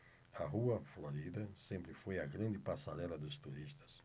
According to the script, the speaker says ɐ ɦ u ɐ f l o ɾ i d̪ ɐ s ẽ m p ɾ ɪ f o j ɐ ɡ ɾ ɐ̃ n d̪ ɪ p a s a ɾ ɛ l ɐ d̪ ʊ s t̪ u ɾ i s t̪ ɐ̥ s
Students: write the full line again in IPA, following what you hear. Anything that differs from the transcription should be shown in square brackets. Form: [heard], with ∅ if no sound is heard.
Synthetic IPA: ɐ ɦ u ɐ f l o ɾ i d̪ ɐ s ẽ m p ɾ ɪ f o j ɐ ɡ ɾ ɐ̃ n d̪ ɪ p a s a ɾ ɛ l ɐ d̪ ʊ s t̪ u ɾ i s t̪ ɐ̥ s